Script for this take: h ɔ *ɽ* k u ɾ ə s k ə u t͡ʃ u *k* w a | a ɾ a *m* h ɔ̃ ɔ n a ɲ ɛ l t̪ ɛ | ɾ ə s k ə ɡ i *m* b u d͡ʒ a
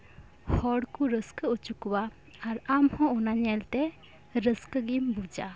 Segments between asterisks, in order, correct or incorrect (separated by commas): correct, correct, correct, correct